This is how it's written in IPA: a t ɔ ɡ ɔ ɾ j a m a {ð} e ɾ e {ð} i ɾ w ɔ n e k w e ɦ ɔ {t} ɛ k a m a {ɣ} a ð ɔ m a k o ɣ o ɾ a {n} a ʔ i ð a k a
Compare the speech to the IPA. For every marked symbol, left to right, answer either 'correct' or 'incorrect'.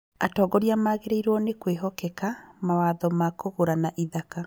incorrect, incorrect, incorrect, incorrect, correct

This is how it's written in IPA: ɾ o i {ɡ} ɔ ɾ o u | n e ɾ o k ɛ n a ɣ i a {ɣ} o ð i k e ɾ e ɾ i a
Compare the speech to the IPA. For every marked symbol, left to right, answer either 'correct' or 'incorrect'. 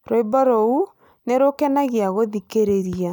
incorrect, correct

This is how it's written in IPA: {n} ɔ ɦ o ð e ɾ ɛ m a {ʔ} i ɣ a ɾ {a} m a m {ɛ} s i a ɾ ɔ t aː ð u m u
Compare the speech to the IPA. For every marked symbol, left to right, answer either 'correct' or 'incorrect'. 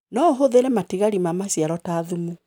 correct, incorrect, incorrect, incorrect

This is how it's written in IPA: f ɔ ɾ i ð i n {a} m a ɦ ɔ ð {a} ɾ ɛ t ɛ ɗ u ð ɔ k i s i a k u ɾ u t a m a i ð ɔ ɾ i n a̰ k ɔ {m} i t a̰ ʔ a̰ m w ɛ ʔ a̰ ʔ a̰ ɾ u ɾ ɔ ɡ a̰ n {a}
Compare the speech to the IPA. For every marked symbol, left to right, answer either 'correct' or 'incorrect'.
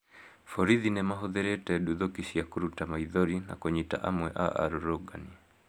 incorrect, incorrect, incorrect, incorrect

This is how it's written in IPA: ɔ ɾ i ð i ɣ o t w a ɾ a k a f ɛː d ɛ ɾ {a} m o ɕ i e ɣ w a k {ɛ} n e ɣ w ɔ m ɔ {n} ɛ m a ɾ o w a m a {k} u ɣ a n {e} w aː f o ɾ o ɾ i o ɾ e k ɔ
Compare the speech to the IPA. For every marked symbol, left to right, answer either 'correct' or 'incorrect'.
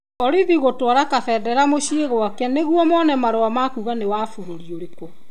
correct, correct, correct, correct, correct

